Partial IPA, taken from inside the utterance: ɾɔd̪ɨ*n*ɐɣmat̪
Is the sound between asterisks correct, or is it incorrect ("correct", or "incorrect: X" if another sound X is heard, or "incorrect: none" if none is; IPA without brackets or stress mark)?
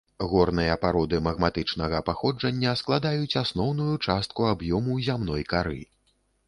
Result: incorrect: m